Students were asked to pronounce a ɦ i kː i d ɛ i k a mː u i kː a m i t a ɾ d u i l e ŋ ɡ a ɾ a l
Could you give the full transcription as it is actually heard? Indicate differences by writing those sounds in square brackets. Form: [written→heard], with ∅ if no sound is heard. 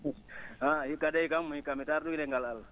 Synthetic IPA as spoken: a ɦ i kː [i→a] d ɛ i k a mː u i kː a m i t a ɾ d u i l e ŋ ɡ a [ɾ→l] a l